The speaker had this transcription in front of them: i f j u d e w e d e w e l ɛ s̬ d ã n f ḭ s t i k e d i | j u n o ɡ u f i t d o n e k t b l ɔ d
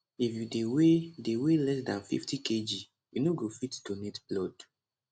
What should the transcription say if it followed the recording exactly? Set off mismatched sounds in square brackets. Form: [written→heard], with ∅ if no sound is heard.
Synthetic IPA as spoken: i f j u d e w e d e w e l ɛ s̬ d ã n f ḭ [s→f] t i k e [d→d͡ʒ] i | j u n o ɡ [u→o] f i t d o n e [k→∅] t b l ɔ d